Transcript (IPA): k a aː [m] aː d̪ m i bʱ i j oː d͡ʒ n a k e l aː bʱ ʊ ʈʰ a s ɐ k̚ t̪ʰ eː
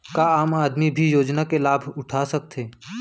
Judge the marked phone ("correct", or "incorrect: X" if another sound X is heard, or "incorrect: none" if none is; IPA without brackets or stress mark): correct